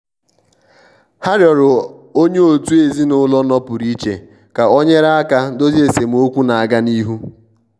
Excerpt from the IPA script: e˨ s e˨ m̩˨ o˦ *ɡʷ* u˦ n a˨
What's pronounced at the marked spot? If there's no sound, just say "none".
kʷ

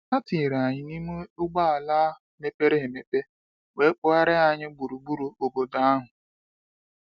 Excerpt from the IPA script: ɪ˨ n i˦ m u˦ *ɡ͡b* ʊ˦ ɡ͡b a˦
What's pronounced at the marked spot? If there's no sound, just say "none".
none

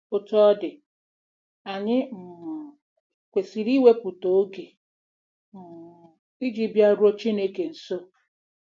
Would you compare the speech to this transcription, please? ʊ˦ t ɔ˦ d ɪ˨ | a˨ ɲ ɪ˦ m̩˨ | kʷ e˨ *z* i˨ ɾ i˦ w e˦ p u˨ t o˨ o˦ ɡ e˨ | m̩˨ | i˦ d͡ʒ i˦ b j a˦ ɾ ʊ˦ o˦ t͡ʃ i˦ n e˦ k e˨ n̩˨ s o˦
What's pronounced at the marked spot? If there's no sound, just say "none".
s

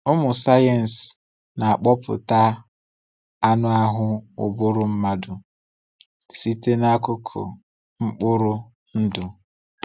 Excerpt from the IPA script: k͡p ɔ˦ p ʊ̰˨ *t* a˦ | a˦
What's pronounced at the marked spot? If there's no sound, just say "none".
t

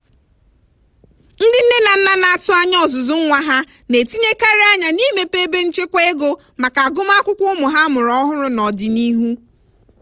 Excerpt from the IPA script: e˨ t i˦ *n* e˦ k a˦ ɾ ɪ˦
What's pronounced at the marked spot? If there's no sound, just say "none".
ɲ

